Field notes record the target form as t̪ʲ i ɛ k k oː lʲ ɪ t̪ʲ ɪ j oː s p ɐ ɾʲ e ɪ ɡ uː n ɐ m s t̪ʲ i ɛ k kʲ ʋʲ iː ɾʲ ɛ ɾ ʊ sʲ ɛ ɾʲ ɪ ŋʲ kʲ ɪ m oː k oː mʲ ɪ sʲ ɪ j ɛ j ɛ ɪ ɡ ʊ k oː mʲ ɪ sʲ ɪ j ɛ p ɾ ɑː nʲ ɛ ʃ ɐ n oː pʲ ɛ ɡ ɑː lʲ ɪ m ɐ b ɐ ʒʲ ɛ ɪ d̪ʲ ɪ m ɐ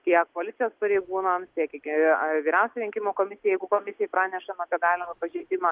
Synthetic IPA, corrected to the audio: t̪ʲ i ɛ k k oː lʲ ɪ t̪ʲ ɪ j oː s p ɐ ɾʲ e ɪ ɡ uː n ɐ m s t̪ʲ i ɛ k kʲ ʋʲ iː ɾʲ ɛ ʊ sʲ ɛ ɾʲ ɪ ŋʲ kʲ ɪ m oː k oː mʲ ɪ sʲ ɪ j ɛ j ɛ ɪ ɡ ʊ k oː mʲ ɪ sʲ ɪ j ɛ p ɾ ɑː nʲ ɛ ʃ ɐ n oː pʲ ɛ ɡ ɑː lʲ ɪ m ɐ p ɐ ʒʲ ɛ ɪ d̪ʲ ɪ m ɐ